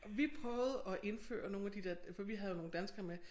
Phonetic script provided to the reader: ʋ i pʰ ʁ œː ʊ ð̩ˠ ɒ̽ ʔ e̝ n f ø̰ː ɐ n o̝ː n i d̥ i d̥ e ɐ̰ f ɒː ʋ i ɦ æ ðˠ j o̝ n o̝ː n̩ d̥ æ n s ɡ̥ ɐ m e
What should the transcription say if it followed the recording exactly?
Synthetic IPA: ʋ i pʰ ʁ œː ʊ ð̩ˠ ɒ̽ ʔ e̝ n f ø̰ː ɐ n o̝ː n æ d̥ i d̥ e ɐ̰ f ɒ ʋ i ɦ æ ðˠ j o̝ n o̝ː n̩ d̥ æ n s ɡ̥ ɐ m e

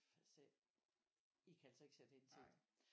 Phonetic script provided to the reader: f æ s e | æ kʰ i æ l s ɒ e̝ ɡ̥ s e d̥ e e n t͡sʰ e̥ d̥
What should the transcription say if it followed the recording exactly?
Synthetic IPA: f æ s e | i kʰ æ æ l s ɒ e̝ ɡ̥ s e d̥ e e n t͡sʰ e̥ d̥

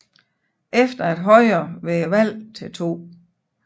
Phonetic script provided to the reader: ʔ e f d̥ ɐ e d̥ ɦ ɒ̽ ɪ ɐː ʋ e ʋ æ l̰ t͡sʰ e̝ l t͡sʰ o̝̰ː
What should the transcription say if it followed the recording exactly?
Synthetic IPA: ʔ e f d̥ ɐ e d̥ ɦ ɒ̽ ɪ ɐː ʋ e ʋ æ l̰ t͡sʰ e̝ l t͡sʰ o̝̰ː

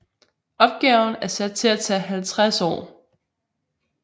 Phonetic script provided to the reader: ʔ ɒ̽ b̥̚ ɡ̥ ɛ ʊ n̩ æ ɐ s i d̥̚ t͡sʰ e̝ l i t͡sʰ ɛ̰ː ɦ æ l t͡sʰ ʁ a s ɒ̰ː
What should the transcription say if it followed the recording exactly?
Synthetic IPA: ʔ ɒ̽ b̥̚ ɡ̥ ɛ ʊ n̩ æ ɐ s æ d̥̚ t͡sʰ e̝ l æ t͡sʰ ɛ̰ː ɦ æ l t͡sʰ ʁ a s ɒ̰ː

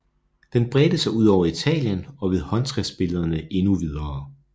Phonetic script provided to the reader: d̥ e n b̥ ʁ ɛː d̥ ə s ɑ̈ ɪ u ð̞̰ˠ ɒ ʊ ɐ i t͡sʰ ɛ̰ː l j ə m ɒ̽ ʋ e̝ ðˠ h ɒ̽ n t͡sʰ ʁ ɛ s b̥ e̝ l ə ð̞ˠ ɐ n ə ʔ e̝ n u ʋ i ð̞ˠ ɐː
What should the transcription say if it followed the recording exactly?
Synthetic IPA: d̥ e n b̥ ʁ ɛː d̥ ə s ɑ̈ ɪ u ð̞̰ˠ ɒ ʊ ɐ i t͡sʰ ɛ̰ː l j ə n ɒ̽ ʋ e̝ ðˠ h ɒ̽ n t͡sʰ ʁ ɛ s b̥ e̝ l ə ð̞ˠ ɐ n ə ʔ e̝ n u ʋ i ð̞ˠ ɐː

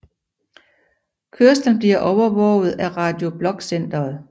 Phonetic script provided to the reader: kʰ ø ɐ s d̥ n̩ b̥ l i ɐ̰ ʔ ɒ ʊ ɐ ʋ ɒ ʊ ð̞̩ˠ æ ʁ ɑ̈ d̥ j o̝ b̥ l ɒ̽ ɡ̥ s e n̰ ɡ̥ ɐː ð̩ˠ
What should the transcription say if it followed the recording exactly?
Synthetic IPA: kʰ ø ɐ s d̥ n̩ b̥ l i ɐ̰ ʔ ɒ ʊ ɐ ʋ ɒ ʊ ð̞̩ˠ æ ʁ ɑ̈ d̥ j o̝ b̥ l ɒ̽ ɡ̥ s e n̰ d̥ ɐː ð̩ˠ

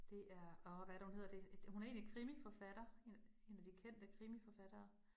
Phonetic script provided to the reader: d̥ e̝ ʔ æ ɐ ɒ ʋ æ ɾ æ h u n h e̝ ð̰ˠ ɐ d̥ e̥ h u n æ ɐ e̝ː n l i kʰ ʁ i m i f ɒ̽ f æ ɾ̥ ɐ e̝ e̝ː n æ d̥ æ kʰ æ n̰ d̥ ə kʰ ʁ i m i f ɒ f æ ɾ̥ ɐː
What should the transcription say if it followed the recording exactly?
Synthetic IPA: d̥ e̝ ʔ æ ɐ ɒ ʋ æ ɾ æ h u n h e̝ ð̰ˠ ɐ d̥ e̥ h u n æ ɐ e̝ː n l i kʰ ʁ i m i f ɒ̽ f æ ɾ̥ ɐ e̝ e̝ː n æ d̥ i kʰ e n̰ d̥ ə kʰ ʁ i m i f ɒ f æ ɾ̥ ɐː

